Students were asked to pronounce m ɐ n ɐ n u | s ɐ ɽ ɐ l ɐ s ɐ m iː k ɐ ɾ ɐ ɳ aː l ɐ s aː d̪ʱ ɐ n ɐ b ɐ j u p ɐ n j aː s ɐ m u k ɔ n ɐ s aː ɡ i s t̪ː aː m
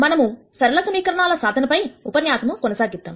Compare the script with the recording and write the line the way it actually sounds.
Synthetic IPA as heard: m ɐ n ɐ m u | s ɐ ɾ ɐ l ɐ s ɐ m iː k ɐ ɾ ɐ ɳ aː l ɐ s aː d̪ʱ ɐ n ɐ p ɐ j u p ɐ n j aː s ɐ m u k ɔ n ɐ s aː ɡ i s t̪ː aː m